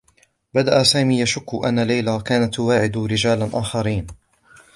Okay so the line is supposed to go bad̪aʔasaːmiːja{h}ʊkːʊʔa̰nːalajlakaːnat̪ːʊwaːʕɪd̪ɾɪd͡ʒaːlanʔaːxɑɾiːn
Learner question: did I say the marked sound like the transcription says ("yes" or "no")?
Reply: no